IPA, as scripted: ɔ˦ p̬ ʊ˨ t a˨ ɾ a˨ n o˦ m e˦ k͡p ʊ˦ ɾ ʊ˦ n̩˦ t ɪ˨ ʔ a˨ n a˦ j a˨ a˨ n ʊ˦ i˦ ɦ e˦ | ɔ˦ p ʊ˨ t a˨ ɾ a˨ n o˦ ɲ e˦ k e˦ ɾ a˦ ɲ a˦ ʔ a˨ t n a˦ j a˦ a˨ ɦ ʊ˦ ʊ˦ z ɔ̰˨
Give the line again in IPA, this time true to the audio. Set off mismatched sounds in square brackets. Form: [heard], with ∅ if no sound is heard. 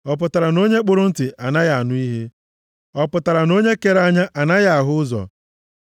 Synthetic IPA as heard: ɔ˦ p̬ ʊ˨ t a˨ ɾ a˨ n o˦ [ɲ] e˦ k͡p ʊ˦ ɾ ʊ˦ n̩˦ t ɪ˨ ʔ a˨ n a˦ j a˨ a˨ n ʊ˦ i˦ ɦ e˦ | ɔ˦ p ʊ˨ t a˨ ɾ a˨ n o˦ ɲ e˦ k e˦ ɾ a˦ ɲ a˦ ʔ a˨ [∅] n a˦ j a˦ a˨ ɦ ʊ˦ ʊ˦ z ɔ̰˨